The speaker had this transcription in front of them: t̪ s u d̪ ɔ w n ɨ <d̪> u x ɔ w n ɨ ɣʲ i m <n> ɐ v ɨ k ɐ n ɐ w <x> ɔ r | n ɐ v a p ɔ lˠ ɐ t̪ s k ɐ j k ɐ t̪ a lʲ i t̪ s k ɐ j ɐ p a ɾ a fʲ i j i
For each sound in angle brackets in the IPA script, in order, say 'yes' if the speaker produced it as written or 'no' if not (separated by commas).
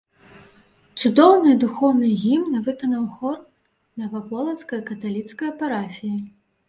yes, yes, yes